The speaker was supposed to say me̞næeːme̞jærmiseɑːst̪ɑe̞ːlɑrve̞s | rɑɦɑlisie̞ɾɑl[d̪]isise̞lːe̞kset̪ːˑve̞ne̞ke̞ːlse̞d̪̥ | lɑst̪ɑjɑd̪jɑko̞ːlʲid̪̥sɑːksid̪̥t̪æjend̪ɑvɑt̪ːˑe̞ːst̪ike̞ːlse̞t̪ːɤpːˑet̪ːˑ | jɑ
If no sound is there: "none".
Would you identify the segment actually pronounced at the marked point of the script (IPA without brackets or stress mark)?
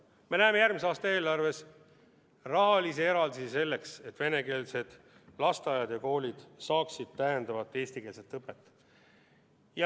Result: d̪